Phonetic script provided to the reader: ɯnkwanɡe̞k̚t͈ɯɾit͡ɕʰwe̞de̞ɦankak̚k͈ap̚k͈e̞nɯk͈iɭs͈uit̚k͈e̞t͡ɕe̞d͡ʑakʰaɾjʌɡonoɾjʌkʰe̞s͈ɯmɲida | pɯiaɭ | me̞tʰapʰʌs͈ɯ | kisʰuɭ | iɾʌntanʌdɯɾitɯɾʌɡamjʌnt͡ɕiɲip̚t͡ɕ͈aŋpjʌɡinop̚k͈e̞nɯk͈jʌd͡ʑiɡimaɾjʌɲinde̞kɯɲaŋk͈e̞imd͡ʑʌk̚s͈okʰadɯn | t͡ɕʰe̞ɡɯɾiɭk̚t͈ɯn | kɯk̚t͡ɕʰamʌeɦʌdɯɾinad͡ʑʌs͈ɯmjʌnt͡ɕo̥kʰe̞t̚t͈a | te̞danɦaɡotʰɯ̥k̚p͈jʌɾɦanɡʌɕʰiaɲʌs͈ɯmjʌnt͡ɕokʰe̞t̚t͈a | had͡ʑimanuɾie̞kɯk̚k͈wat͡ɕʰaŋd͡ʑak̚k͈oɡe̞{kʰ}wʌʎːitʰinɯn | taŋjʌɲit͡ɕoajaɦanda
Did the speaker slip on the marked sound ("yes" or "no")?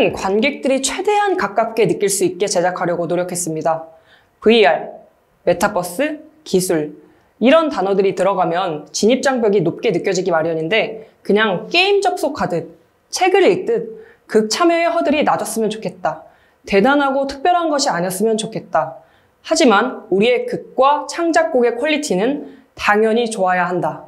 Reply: no